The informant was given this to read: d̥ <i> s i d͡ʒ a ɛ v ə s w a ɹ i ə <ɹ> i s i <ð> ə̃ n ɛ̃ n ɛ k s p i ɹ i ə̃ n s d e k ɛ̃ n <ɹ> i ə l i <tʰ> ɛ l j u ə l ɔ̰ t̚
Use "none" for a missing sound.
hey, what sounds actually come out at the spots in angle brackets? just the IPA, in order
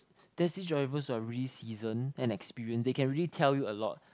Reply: ɛ, l, z, ɹ, tʰ

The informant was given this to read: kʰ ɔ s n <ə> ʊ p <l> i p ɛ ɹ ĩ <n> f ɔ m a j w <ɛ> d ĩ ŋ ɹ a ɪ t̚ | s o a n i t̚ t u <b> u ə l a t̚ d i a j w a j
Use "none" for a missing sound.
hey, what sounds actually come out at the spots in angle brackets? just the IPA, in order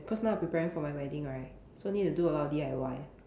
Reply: a, ɹ, ŋ, ɛ, d

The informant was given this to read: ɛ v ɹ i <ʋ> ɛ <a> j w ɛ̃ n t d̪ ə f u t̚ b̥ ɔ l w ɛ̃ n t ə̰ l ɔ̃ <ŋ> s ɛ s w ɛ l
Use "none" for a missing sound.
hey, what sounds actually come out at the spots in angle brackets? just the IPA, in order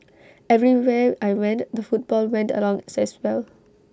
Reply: w, a, ŋ

